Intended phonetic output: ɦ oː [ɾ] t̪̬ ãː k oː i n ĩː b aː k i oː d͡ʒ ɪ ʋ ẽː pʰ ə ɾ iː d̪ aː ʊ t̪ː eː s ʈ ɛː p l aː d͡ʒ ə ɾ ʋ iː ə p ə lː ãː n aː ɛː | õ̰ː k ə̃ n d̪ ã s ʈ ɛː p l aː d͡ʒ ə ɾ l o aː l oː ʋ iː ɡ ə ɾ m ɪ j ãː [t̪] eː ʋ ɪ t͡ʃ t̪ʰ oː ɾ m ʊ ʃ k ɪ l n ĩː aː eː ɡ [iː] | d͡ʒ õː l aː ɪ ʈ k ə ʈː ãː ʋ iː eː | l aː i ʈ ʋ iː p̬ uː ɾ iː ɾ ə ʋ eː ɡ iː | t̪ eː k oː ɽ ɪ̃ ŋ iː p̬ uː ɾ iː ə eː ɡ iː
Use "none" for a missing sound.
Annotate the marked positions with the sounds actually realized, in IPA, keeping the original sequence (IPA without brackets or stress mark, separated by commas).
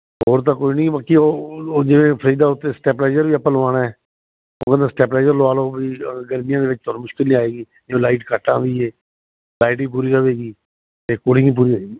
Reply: ɾ, d̪, iː